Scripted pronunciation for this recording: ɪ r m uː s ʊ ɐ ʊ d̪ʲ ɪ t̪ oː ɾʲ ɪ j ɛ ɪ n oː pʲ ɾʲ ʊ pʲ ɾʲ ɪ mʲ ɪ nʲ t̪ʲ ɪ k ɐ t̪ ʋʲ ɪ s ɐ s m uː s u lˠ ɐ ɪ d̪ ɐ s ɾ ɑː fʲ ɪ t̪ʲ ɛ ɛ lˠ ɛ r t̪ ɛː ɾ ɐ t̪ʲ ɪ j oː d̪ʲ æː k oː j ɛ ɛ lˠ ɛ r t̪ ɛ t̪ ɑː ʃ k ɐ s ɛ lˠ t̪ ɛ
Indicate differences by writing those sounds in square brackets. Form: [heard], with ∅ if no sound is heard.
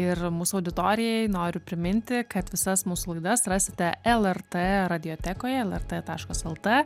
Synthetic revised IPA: ɪ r m uː s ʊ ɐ ʊ d̪ʲ ɪ t̪ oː ɾʲ ɪ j ɛ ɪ n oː [∅] ɾʲ ʊ pʲ ɾʲ ɪ mʲ ɪ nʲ t̪ʲ ɪ k ɐ t̪ ʋʲ ɪ s ɐ s m uː s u lˠ ɐ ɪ d̪ ɐ s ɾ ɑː [sʲ] ɪ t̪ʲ ɛ ɛ lˠ ɛ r t̪ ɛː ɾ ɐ [d̪ʲ] ɪ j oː [t̪ʲ] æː k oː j ɛ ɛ lˠ ɛ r t̪ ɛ t̪ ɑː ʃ k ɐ s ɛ lˠ t̪ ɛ